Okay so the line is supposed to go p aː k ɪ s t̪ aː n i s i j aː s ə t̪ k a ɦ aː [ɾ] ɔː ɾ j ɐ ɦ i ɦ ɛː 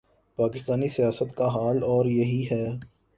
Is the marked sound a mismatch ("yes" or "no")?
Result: yes